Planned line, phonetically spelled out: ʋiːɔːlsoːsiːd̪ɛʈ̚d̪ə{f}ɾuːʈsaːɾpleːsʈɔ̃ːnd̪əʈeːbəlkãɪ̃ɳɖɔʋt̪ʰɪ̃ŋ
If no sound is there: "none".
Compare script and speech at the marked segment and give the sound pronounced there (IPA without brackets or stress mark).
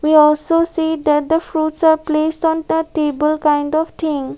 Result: f